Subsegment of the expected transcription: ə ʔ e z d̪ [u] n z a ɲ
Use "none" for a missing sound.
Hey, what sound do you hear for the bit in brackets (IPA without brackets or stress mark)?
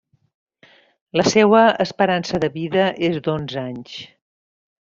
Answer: o